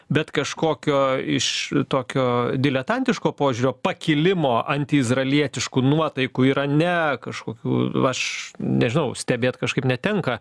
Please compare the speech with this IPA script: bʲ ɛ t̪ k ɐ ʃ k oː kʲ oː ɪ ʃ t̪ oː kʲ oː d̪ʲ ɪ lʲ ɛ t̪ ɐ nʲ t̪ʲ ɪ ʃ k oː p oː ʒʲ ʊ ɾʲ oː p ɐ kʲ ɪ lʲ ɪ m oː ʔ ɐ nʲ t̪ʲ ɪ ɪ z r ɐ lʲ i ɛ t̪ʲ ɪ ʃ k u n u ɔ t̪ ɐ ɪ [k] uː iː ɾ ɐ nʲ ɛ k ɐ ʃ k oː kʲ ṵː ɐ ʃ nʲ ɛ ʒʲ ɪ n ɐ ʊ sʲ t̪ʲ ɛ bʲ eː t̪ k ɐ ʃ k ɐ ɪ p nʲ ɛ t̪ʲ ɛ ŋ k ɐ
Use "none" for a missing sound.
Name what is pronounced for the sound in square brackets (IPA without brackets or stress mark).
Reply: k